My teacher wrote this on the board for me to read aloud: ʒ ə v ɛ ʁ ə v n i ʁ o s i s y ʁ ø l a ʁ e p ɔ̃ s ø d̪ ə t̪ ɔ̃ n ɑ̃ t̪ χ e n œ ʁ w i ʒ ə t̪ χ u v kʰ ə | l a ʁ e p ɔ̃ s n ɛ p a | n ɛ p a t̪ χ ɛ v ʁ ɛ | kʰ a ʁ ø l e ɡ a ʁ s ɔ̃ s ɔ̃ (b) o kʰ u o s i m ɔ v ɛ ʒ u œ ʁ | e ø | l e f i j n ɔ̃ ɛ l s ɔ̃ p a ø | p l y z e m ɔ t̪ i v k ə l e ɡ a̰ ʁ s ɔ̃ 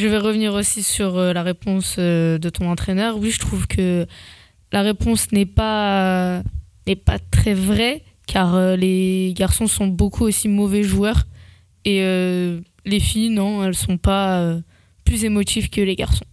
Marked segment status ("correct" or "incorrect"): correct